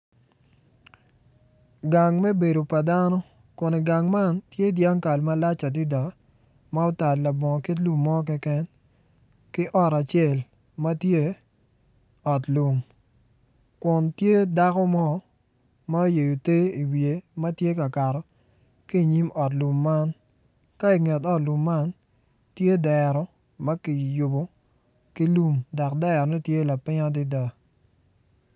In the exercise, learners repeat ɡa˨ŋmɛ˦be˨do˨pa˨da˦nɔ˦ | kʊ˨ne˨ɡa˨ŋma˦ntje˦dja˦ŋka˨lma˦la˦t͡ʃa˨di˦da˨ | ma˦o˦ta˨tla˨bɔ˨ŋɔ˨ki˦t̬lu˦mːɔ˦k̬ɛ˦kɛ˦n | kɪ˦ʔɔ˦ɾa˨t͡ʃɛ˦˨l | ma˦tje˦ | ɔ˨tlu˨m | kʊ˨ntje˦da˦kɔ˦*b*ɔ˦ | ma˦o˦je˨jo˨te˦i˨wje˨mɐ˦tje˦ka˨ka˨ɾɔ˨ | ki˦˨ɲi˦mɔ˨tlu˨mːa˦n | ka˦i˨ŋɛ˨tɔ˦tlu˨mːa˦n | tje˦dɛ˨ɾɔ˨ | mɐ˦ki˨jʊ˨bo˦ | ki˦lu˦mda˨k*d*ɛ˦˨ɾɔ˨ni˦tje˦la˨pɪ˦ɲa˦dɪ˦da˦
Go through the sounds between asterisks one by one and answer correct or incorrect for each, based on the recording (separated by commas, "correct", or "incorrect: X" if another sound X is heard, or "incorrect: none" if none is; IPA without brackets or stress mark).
incorrect: m, correct